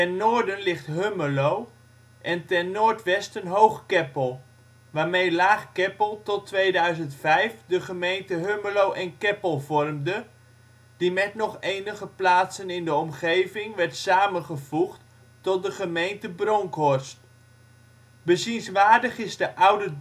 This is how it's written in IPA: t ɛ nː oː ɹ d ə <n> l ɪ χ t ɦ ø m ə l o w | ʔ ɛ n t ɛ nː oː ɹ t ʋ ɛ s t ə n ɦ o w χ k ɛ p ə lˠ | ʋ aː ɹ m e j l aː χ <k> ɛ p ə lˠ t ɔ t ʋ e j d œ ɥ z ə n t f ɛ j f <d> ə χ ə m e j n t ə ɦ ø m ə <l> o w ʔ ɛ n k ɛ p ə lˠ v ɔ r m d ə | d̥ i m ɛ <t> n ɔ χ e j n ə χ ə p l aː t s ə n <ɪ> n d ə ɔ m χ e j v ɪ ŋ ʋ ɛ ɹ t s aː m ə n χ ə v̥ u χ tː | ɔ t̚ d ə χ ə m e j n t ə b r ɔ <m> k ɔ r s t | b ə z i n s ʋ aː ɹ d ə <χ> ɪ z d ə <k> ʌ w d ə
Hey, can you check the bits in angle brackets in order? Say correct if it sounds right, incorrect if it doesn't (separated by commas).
correct, correct, correct, correct, correct, correct, incorrect, correct, incorrect